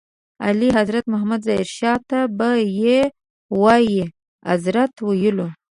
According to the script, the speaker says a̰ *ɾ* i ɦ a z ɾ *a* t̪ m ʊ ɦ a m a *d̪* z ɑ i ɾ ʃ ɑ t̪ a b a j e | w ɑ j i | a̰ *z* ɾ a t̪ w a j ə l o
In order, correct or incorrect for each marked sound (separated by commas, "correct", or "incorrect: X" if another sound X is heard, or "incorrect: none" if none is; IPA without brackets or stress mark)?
incorrect: l, correct, correct, correct